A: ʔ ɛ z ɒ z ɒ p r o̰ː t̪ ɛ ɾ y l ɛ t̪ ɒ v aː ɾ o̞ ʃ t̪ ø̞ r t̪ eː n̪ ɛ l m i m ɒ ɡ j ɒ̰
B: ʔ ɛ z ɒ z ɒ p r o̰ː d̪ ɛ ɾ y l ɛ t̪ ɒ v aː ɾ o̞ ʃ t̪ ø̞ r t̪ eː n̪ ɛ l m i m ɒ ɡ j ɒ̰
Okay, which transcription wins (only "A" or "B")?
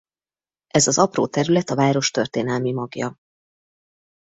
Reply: A